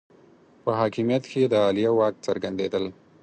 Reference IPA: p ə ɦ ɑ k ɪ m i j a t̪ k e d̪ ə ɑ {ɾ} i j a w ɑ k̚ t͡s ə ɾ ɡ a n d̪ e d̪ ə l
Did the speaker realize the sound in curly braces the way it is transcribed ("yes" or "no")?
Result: no